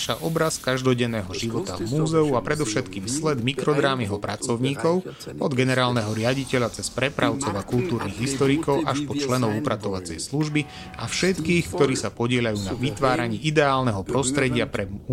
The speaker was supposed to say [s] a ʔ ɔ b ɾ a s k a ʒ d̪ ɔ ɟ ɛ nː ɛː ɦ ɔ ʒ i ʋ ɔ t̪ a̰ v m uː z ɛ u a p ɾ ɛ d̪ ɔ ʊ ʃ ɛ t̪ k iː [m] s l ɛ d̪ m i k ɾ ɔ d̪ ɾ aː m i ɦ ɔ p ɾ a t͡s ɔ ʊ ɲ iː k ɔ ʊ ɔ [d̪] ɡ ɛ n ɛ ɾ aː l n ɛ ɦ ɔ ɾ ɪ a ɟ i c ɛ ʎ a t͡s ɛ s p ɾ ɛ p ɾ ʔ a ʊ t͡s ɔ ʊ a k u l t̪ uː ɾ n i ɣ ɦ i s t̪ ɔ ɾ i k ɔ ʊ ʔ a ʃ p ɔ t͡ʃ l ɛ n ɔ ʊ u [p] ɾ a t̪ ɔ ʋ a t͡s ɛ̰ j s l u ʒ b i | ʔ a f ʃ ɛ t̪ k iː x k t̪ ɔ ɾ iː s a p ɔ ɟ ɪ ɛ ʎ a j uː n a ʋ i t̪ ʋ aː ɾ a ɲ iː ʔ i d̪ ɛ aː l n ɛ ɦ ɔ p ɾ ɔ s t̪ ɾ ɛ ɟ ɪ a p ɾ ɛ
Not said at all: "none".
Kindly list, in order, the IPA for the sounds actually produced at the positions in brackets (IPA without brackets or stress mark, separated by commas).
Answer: ʃ, m, d̪, p